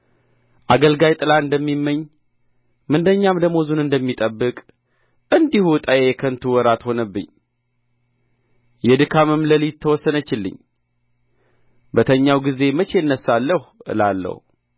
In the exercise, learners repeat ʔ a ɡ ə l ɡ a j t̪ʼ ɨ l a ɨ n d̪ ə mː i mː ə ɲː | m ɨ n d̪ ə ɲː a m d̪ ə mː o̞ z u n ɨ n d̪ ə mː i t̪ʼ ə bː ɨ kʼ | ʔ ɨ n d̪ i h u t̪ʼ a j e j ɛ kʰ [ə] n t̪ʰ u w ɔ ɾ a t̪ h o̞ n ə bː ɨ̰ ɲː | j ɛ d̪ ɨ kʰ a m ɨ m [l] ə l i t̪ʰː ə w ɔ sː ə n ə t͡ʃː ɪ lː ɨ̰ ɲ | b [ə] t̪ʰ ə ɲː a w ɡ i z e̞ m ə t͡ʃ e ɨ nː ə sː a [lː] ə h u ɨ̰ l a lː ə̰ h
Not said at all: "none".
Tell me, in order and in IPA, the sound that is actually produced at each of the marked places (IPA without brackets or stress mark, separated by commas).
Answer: ə, l, ə, lː